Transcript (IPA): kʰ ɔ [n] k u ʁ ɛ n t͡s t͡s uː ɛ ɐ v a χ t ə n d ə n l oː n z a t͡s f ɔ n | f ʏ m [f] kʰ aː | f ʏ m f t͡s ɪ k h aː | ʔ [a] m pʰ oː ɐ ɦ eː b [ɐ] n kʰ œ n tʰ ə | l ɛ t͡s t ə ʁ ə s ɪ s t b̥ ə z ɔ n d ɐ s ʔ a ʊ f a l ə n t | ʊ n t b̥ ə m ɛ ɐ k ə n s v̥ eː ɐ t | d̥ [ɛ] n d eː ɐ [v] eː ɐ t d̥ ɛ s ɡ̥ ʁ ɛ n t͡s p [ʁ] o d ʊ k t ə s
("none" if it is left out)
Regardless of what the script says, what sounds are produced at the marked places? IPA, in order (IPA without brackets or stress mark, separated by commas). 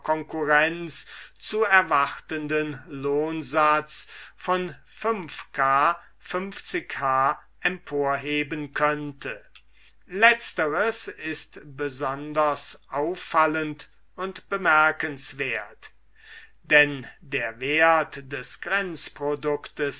ŋ, f, ɛ, ə, ɛ, v, ʁ